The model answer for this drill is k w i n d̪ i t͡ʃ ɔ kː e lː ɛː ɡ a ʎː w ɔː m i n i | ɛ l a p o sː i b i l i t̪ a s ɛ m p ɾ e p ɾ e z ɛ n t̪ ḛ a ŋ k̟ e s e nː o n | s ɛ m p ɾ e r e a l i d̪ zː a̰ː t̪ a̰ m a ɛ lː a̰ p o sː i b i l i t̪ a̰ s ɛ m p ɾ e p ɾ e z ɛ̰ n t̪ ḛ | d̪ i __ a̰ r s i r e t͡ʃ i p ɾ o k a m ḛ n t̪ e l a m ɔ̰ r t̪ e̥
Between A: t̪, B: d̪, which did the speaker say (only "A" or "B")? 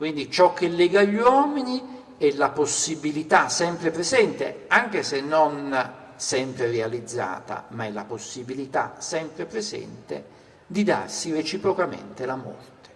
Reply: B